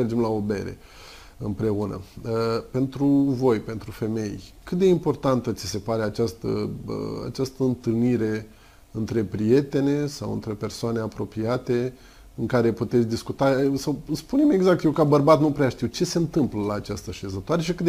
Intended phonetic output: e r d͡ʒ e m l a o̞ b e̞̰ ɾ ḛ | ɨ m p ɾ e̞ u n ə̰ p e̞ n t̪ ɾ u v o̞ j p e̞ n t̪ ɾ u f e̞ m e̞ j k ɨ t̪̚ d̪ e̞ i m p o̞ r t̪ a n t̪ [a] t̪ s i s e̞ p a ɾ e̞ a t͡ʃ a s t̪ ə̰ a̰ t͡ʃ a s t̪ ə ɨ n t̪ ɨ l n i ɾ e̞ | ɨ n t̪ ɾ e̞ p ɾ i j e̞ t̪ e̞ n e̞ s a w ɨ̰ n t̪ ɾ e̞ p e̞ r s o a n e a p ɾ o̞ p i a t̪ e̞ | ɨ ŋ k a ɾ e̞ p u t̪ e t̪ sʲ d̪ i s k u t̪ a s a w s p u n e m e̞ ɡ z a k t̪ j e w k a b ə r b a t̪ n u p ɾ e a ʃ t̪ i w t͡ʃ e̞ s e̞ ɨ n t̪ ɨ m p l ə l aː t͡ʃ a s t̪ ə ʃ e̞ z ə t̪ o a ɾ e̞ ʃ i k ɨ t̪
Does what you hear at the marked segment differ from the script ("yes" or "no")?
yes